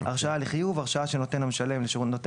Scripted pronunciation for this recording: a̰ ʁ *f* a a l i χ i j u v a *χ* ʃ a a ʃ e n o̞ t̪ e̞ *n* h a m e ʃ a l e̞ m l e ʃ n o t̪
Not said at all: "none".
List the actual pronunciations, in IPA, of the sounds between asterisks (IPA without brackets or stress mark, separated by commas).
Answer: ʃ, ʁ, n